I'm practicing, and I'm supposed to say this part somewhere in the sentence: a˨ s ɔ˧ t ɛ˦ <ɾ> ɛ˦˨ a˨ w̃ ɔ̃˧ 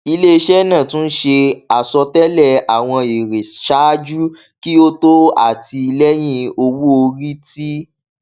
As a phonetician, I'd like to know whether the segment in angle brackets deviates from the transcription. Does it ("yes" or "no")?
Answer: yes